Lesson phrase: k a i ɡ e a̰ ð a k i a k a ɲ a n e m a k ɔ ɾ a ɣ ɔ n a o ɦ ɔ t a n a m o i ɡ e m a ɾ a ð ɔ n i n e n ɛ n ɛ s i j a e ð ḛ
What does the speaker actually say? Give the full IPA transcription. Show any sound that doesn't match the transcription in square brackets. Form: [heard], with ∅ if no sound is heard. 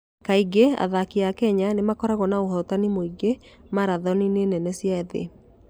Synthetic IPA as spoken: k a i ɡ e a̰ ð a k i a k [ɛ] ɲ a n e m a k ɔ ɾ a ɣ ɔ n a o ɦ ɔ t a n [i] m o i ɡ e m a ɾ a ð ɔ n i n e n ɛ n ɛ s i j a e ð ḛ